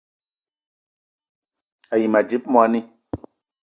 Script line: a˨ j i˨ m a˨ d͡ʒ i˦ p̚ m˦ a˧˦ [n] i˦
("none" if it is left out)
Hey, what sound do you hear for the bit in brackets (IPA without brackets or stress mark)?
n